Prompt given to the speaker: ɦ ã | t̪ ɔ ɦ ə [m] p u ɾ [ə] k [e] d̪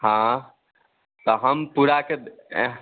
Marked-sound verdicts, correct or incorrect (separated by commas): correct, incorrect, correct